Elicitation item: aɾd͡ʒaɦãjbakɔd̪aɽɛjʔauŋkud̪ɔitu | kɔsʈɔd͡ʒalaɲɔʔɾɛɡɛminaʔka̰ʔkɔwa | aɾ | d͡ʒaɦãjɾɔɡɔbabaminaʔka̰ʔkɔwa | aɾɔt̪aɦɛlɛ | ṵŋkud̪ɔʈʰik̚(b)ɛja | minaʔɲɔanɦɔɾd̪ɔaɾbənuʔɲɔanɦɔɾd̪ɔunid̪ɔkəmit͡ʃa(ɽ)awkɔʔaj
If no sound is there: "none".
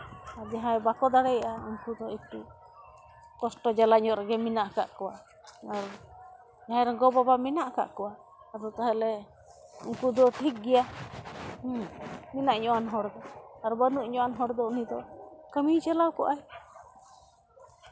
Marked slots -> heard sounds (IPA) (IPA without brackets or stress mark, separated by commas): ɡ, l